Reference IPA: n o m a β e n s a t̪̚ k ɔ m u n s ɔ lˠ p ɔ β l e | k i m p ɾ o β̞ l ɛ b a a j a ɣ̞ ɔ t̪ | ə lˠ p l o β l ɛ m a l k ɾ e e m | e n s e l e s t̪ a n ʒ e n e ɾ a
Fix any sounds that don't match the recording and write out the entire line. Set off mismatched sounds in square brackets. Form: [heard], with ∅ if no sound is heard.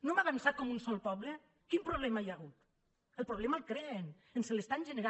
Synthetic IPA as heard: n o m a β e n s a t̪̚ k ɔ m u n s ɔ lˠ p ɔ β l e | k i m p ɾ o β̞ l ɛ [m] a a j a ɣ̞ [u] t̪ | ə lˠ p [ɾ] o β l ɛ m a l k ɾ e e [n] | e n s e l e s t̪ a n ʒ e n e ɾ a

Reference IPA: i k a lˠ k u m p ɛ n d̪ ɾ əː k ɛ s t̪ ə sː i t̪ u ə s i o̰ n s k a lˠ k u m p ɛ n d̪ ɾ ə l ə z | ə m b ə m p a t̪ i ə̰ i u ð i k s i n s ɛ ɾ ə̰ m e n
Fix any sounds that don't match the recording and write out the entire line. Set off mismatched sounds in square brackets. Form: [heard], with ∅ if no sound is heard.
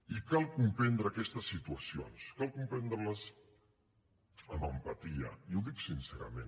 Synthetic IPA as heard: i k a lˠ k u m p ɛ n d̪ ɾ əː k ɛ s t̪ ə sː i t̪ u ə s i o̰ n s k a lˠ k u m p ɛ n d̪ ɾ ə l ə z | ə m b ə m p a t̪ i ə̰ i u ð i k s i n s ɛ ɾ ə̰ m e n

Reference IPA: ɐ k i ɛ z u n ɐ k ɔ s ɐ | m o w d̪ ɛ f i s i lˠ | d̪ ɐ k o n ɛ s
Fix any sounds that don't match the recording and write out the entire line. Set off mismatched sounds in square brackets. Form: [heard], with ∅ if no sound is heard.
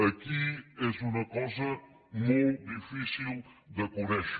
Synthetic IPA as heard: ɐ k i ɛ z u n ɐ k ɔ [z] ɐ | m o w d̪ [i] f i s i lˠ | d̪ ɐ k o n ɛ [ʃ]

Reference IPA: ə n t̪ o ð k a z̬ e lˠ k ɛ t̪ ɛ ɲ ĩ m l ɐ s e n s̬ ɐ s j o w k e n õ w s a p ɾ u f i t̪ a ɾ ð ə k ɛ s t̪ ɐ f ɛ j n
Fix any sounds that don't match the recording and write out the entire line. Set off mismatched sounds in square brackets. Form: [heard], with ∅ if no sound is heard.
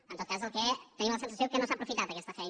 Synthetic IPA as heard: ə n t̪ o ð k a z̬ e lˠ k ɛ t̪ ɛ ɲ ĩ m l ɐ s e n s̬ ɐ s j o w k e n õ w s a p ɾ u f i t̪ a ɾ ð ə k ɛ s t̪ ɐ f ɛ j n

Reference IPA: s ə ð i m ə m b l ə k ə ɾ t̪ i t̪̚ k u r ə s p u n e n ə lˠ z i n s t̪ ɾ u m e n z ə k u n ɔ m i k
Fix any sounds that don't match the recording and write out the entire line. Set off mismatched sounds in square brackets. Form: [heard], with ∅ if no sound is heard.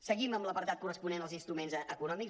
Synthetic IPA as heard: s ə [ɣ] i m ə m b l ə [p] ə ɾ t̪ [a] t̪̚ k u r ə s p u n e n ə lˠ z i n s t̪ ɾ u m e n z ə k u n ɔ m i k

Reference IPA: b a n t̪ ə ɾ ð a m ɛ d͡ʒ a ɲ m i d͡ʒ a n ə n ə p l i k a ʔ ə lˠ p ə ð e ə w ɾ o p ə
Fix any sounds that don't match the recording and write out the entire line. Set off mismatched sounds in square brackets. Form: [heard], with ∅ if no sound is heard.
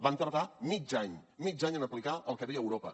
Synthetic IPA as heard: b a n t̪ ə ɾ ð a m [i] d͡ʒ a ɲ m i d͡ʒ a [ɲ] ə n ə p l i k a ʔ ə lˠ [k] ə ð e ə w ɾ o p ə

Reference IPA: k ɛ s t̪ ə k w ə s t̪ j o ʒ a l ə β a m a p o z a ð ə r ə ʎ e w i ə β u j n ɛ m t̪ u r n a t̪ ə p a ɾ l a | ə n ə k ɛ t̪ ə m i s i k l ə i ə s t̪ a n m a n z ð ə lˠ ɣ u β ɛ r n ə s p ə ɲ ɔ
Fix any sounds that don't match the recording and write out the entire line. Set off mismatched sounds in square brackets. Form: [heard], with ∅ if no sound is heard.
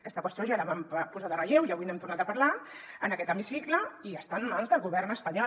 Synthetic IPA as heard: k ɛ s t̪ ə k w ə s t̪ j o ʒ a l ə β a m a p [u] z a ð ə r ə ʎ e w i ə β u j n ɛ m t̪ u r n a t̪ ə p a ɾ l a | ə n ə k ɛ t̪ ə m i s i k l ə i ə s t̪ a n m a n z ð ə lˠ ɣ u β ɛ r n ə s p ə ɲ ɔ

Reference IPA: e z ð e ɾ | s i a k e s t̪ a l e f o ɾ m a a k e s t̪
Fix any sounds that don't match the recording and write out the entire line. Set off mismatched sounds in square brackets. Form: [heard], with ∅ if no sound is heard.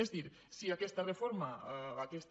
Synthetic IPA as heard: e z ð [i] ɾ | s i a k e s t̪ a [r] e f o ɾ m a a k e s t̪

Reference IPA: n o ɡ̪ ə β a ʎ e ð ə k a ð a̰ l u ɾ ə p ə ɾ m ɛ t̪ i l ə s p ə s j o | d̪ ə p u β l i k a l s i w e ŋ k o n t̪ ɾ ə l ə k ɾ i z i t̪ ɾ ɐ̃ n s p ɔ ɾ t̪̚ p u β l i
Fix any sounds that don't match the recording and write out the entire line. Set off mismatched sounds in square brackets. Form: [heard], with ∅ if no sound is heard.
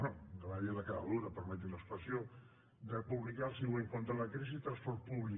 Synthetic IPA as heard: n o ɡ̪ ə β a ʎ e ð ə k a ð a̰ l u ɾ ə p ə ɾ m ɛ t̪ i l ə s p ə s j o | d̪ ə p u β l i k a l s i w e ŋ k o n t̪ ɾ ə l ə k ɾ i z i t̪ ɾ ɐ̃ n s p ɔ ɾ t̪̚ p u β l i

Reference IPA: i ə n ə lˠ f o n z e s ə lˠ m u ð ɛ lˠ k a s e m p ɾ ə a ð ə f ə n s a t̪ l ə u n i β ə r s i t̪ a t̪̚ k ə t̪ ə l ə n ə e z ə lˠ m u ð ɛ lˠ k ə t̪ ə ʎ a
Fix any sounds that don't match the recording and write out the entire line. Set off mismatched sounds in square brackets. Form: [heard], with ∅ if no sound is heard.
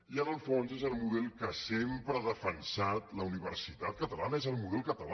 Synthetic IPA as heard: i ə n ə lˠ f o n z e [z] ə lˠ m u ð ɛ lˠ k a s e m p ɾ ə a ð ə f ə n s a t̪ l ə u n i β ə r s i t̪ a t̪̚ k ə t̪ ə l [a] n ə e z ə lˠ m u ð ɛ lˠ k ə t̪ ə [l] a

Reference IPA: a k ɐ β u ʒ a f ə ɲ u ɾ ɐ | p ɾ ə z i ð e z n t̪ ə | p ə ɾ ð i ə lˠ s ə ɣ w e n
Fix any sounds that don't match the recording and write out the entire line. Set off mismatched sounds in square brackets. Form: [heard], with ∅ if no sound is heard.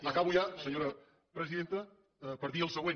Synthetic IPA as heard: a k [a] β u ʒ a [s] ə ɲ [o] ɾ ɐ | p ɾ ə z i ð e [∅] n t̪ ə | p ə ɾ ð i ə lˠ s ə ɣ w e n

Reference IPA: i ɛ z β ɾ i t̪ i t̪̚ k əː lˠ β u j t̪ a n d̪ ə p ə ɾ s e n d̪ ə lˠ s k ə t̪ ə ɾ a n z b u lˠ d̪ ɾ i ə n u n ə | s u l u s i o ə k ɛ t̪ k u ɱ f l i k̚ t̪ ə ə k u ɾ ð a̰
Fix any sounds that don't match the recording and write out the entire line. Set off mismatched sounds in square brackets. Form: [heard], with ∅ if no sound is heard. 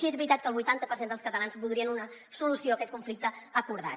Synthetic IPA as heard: i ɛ z β ɾ i t̪ [a] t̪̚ k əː lˠ β u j t̪ a n [t̪] ə p ə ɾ s e n d̪ ə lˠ s k ə t̪ ə [l] a n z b u lˠ d̪ ɾ i ə n u n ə | s u l u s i o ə k ɛ t̪ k u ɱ f l i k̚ t̪ ə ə k u ɾ ð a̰

